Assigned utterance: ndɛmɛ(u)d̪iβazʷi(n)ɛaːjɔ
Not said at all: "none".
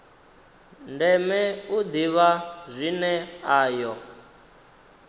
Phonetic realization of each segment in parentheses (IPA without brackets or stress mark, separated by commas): u, n